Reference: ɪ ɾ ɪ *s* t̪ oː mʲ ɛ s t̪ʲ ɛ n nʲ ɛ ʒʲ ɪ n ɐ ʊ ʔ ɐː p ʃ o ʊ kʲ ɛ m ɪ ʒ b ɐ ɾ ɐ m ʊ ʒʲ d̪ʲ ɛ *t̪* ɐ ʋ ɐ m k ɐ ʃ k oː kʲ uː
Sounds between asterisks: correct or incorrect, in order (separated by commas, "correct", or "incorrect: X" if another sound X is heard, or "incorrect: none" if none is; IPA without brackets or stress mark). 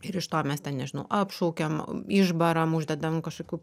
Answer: incorrect: ʃ, incorrect: d̪